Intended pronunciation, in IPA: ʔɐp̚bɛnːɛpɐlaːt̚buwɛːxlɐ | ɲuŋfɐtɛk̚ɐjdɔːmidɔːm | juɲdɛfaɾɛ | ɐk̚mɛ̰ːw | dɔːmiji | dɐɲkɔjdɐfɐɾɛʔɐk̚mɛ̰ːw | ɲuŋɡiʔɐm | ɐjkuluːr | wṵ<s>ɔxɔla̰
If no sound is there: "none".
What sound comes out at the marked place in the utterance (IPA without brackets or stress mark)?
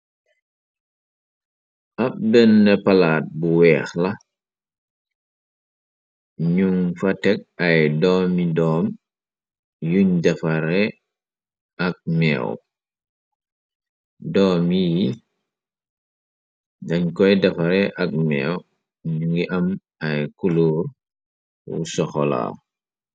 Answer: s